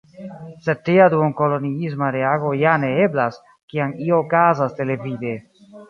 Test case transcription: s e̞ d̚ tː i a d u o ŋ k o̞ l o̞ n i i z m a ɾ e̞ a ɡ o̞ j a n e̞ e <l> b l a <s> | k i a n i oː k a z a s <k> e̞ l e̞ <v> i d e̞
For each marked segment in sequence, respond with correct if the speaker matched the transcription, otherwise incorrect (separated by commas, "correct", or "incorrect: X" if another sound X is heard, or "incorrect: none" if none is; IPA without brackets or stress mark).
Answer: incorrect: none, correct, incorrect: t, correct